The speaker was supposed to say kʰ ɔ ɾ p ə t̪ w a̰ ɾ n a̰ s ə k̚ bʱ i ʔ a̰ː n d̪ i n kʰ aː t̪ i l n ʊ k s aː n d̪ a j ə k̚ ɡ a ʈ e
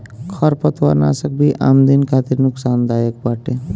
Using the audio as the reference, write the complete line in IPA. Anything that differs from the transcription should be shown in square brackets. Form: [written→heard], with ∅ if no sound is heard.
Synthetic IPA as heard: kʰ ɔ ɾ p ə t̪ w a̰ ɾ n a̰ s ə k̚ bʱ i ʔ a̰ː [n→m] d̪ i n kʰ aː t̪ i [l→ɾ] n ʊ k s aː n d̪ a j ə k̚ [ɡ→b] a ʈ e

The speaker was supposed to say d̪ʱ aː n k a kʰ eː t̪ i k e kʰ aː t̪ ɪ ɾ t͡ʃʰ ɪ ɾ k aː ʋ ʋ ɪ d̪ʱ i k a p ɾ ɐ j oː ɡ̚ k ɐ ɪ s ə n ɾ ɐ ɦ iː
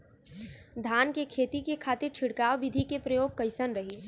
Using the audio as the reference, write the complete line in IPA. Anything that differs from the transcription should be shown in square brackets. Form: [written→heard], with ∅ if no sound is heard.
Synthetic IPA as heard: d̪ʱ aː n k [a→e] kʰ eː t̪ i k e kʰ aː t̪ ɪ ɾ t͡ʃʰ ɪ [ɾ→ɽ] k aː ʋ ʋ ɪ d̪ʱ i k [a→e] p ɾ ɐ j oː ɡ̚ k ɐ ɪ s ə n ɾ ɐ ɦ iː

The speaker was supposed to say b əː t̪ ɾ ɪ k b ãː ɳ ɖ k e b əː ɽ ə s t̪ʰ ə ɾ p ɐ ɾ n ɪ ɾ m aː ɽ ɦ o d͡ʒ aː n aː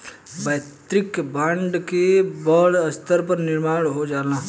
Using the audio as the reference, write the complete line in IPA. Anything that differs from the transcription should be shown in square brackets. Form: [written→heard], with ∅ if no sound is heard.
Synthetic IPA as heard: b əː t̪ ɾ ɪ k b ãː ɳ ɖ k e b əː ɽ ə s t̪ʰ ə ɾ p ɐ ɾ n ɪ ɾ m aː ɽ ɦ o d͡ʒ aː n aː

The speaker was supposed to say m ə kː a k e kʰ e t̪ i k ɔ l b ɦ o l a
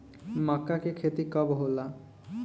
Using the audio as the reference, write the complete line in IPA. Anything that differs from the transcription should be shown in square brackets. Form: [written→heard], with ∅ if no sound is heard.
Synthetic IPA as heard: m [ə→a] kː a k e kʰ e t̪ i k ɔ [l→∅] b ɦ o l a

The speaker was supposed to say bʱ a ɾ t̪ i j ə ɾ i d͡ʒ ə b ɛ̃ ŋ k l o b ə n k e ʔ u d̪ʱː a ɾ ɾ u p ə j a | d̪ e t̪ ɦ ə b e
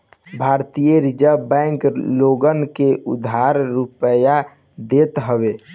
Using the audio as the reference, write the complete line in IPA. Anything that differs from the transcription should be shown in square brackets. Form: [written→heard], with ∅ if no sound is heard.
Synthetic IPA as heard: bʱ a ɾ t̪ i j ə ɾ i d͡ʒ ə b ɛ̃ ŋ k l o [b→ɡ] ə n k e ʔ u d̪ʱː a ɾ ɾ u p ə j a | d̪ e t̪ ɦ ə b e

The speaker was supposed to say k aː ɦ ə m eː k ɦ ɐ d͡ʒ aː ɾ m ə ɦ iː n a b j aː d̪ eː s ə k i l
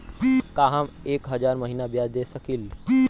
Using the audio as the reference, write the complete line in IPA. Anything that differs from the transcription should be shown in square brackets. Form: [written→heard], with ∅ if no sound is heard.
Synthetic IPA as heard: k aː ɦ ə m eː k ɦ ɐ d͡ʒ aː ɾ m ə ɦ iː n a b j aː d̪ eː s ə k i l

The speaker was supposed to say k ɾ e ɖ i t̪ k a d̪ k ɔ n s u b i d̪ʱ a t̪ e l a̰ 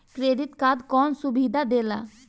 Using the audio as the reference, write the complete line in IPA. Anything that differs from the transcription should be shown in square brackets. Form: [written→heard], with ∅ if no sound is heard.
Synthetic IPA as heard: k ɾ e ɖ i t̪ k a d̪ k ɔ n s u b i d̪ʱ a [t̪→d̪] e l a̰

